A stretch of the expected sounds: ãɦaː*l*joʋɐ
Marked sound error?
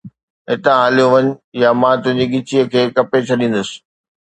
no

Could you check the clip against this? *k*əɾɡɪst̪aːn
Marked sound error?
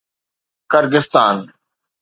no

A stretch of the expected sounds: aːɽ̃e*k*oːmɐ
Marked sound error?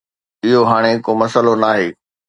no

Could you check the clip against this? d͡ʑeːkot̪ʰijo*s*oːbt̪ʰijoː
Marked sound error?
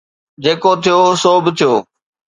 no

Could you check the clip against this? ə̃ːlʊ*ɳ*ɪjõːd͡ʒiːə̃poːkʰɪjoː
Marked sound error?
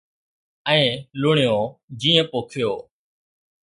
no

